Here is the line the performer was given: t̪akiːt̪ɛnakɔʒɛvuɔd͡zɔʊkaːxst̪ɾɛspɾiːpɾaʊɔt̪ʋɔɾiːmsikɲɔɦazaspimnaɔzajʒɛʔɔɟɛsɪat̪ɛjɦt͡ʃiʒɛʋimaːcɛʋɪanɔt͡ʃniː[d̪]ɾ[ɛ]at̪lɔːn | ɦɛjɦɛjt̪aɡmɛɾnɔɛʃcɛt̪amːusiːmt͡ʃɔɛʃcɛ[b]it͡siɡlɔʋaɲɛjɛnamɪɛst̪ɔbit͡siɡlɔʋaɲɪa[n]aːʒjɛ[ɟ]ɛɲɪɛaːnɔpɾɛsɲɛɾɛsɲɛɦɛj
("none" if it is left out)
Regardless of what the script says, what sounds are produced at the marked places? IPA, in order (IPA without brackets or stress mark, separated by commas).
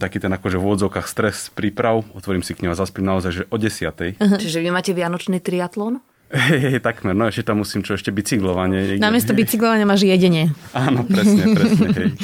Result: t̪, i, b, m, ɟ